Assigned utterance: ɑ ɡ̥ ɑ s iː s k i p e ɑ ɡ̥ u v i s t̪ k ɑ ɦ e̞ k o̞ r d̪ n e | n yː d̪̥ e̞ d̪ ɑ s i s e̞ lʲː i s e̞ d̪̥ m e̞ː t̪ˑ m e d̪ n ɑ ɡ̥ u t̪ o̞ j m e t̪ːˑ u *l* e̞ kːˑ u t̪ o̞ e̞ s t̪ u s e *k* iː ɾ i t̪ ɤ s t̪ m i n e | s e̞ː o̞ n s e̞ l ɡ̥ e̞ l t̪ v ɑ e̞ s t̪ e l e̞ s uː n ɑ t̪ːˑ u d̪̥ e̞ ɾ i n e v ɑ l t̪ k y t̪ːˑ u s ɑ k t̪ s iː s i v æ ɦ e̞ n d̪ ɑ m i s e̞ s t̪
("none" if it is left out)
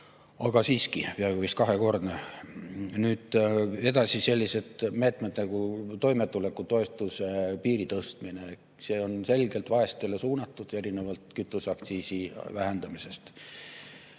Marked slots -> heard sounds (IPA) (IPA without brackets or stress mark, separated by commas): l, p